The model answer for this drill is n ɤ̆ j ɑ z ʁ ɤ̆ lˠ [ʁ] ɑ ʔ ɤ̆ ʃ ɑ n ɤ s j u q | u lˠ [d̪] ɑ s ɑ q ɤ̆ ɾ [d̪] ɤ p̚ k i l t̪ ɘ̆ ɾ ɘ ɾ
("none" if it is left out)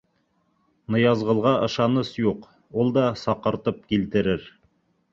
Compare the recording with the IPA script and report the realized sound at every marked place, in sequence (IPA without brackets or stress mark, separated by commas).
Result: ʁ, d̪, t̪